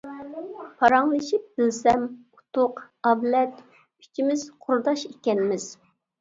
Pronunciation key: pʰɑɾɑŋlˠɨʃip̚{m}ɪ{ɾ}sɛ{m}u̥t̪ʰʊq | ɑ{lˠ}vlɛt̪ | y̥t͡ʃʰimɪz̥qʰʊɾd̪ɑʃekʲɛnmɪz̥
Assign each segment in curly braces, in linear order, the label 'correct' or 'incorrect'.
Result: incorrect: b, incorrect: l, correct, incorrect: none

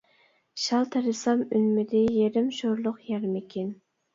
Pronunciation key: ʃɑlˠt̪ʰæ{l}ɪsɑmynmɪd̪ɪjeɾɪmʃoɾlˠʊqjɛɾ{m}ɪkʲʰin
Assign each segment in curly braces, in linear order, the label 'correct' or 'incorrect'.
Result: incorrect: ɾ, correct

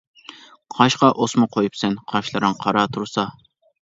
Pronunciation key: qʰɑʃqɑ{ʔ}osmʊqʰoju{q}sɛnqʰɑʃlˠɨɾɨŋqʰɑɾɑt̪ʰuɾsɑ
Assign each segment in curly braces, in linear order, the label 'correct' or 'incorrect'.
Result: correct, incorrect: p

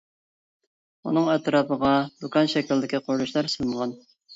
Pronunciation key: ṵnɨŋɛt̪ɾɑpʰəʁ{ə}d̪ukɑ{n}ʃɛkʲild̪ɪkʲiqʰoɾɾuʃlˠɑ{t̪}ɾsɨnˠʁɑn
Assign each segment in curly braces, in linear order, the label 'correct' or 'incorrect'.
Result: incorrect: ɑ, correct, incorrect: none

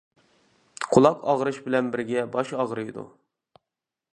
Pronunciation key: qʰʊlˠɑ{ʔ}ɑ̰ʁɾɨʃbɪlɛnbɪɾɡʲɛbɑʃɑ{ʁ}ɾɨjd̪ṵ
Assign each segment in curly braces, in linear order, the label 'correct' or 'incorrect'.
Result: incorrect: q, correct

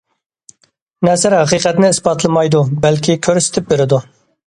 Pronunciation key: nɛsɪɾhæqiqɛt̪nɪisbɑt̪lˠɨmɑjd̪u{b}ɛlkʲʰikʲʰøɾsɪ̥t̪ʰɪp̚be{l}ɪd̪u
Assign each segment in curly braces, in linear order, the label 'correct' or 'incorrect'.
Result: correct, incorrect: ɾ

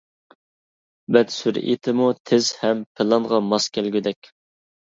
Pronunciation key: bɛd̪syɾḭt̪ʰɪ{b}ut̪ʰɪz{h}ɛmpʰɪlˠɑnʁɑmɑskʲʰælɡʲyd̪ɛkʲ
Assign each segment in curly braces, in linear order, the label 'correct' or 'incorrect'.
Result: incorrect: m, correct

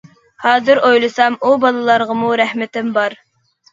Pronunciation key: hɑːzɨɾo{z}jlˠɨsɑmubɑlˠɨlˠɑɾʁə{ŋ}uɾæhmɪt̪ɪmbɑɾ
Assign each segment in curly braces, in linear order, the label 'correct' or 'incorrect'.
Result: incorrect: none, incorrect: m

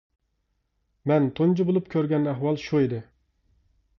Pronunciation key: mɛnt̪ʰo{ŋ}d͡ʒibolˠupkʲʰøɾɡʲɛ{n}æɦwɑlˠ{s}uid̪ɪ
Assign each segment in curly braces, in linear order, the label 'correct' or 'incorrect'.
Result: incorrect: n, correct, incorrect: ʃ

